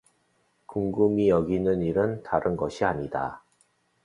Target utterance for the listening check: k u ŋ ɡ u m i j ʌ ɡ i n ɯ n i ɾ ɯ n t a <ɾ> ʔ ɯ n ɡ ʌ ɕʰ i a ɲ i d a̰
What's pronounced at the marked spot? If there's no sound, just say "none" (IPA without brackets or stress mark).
ɾ